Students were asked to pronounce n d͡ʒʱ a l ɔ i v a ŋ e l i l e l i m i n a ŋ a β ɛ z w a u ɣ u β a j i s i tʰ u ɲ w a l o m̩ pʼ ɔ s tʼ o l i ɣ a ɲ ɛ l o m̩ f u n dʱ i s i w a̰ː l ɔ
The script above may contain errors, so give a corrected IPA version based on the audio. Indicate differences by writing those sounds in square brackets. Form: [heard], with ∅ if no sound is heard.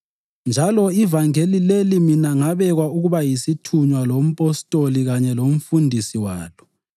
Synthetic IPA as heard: n d͡ʒʱ a l ɔ i v a ŋ e l i l e l i m i n a ŋ a β ɛ [ɣ] w a u ɣ u β a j i s i tʰ u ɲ w a l o m̩ pʼ ɔ s tʼ o l i ɣ a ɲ ɛ l o m̩ f u n dʱ i s i w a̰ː l ɔ